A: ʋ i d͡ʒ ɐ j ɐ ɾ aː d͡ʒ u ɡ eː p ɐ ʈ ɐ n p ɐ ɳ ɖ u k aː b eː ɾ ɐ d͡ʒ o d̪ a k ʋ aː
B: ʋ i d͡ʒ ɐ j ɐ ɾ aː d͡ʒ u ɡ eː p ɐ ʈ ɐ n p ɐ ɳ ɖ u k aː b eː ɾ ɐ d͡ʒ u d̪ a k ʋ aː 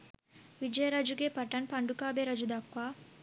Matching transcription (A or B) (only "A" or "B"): B